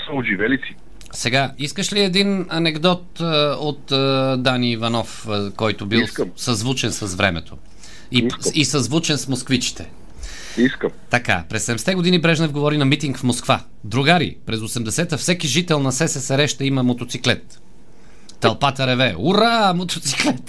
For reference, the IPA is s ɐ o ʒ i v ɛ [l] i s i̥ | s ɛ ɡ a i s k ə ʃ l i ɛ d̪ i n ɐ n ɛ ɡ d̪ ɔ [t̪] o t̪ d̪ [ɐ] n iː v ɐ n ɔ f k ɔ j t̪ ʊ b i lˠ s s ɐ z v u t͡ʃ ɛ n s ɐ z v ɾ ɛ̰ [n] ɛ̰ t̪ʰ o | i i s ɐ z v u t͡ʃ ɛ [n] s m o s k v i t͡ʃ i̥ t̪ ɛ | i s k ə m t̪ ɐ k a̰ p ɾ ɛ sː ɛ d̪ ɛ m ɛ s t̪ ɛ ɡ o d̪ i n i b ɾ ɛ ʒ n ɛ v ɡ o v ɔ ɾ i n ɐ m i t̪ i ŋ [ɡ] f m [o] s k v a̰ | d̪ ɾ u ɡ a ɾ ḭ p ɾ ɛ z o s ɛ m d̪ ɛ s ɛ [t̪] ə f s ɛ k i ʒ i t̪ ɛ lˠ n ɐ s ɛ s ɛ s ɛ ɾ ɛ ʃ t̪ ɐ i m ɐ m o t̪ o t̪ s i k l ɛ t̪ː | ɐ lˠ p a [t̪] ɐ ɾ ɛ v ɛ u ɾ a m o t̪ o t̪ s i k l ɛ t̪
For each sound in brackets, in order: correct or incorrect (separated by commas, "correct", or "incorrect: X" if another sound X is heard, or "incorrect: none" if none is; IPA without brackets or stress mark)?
correct, correct, incorrect: a, incorrect: m, correct, incorrect: k, correct, correct, correct